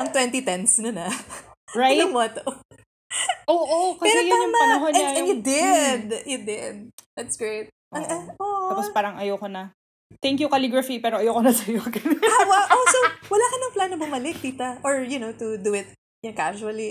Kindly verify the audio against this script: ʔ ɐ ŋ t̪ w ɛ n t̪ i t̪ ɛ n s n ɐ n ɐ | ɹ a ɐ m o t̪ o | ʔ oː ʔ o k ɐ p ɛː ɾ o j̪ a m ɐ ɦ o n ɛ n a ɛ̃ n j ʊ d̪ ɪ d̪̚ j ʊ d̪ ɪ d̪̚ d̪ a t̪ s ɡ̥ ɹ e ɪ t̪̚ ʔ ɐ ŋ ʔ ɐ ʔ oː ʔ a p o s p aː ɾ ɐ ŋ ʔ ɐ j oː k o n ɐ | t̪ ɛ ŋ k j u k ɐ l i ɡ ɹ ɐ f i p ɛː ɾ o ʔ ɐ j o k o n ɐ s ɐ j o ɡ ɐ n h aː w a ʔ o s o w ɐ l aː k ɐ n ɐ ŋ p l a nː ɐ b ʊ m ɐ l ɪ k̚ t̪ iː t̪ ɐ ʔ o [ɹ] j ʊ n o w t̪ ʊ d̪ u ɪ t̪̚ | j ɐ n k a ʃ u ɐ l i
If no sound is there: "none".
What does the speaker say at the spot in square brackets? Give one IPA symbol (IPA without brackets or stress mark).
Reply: ɹ